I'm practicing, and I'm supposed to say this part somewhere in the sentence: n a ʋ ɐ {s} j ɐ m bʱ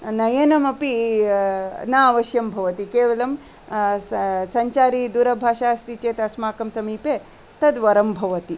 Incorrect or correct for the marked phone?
incorrect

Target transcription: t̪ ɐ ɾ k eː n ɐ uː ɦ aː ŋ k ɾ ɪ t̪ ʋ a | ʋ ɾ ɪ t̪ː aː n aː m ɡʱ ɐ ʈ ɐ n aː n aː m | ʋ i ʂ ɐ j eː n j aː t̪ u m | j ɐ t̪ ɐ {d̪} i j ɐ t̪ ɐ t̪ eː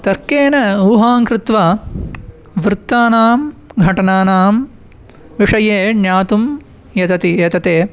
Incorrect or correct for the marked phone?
incorrect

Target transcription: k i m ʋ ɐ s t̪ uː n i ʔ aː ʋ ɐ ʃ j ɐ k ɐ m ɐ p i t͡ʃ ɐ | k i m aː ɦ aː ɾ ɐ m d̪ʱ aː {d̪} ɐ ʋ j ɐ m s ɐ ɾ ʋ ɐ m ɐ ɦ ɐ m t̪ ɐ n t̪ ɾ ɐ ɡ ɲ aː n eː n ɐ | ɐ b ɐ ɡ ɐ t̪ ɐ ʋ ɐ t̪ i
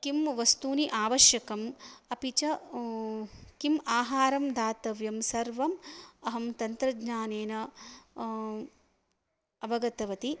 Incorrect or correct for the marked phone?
incorrect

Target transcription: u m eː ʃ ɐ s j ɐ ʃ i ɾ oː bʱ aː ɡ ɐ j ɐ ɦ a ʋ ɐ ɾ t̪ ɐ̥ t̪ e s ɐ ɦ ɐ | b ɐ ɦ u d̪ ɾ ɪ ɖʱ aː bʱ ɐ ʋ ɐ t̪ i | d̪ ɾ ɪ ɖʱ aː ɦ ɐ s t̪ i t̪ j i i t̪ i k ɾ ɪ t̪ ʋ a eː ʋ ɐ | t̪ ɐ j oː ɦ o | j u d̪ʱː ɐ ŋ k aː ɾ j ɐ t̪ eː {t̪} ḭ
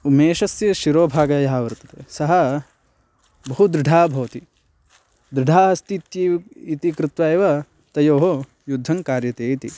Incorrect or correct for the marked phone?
correct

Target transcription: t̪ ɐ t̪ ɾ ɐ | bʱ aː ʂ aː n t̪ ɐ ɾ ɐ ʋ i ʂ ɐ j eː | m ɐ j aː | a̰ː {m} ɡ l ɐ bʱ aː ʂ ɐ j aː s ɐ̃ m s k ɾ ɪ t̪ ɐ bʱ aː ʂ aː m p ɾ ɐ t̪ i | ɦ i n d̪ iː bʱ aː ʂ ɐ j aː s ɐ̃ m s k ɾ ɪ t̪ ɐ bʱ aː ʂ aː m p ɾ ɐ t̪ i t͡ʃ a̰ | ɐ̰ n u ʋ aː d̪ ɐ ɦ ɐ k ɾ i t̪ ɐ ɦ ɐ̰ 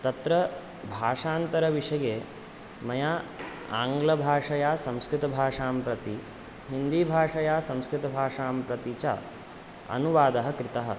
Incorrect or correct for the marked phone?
incorrect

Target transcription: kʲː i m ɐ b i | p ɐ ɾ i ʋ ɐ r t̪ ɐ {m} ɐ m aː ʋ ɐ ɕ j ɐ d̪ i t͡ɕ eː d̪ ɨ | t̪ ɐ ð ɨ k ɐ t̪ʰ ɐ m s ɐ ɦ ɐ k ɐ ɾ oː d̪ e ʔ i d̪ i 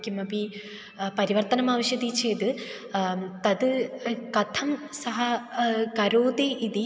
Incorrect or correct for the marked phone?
incorrect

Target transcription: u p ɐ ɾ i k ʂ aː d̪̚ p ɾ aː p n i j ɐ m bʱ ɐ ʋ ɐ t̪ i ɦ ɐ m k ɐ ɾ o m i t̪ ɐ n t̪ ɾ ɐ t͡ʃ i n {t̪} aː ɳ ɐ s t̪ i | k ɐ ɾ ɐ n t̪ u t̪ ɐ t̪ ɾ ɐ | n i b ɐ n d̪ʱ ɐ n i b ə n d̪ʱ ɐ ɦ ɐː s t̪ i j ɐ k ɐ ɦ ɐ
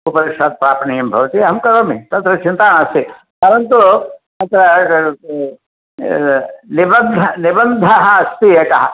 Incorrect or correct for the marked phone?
correct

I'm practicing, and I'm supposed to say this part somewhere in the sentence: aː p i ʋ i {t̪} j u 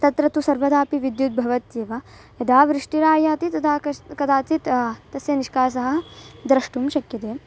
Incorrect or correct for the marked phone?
incorrect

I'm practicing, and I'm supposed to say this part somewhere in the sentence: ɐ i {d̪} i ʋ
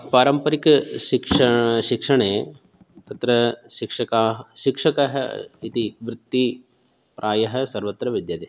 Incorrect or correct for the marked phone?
incorrect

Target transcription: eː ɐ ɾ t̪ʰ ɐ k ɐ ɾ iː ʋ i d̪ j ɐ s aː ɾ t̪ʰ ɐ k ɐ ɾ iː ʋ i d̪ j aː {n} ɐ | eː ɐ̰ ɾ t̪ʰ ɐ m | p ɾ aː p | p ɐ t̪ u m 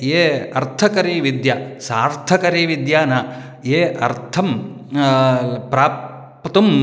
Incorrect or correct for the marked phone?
correct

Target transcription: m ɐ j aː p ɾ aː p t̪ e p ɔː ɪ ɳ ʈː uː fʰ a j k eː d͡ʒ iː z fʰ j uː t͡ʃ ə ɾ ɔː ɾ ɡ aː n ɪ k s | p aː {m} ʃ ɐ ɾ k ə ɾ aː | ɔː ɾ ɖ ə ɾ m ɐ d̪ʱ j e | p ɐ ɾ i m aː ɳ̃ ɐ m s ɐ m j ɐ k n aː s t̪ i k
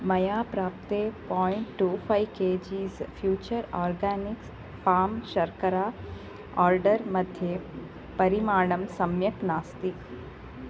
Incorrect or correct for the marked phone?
correct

